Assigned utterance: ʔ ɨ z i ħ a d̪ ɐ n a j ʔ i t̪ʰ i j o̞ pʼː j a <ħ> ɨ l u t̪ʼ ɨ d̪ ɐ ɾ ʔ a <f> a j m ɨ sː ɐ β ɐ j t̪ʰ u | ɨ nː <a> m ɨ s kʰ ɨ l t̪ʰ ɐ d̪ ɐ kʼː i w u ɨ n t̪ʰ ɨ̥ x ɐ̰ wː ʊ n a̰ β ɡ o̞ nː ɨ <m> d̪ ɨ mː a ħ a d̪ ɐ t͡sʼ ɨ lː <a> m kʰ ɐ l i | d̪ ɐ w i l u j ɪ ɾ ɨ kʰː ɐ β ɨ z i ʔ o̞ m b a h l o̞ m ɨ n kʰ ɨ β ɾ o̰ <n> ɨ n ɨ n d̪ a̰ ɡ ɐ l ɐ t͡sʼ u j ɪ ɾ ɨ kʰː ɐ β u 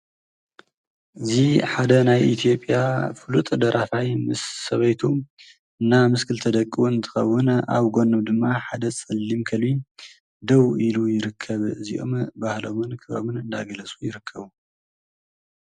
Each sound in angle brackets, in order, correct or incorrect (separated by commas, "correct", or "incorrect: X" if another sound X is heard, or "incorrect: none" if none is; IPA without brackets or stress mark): incorrect: f, correct, correct, correct, incorrect: i, incorrect: m